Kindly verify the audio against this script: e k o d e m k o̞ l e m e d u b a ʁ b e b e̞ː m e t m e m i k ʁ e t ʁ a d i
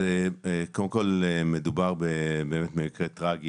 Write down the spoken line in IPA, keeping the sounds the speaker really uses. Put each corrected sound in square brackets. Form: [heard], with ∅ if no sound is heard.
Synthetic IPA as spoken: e k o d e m k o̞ l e m e d u b a ʁ b e b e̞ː m e t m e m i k ʁ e t ʁ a [ɡ] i